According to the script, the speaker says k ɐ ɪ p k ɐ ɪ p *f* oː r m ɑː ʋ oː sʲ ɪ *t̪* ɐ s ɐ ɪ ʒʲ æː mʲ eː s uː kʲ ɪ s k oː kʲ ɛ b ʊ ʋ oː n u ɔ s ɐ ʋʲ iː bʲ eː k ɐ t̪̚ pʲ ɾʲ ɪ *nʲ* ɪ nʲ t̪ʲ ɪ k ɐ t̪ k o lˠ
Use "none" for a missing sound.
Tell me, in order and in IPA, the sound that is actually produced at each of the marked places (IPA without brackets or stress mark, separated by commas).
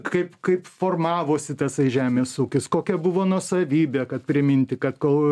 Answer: f, t̪, mʲ